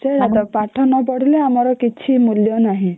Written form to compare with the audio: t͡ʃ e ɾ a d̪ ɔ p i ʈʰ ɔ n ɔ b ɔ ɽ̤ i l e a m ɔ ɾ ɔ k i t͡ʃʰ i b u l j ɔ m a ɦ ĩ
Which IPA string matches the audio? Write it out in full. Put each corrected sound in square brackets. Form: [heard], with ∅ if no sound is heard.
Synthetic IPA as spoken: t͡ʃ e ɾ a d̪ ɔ p [a] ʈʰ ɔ n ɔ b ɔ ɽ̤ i l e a m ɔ ɾ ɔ k i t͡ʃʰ i [m] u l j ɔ [n] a ɦ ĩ